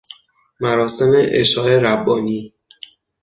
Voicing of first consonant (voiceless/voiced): voiced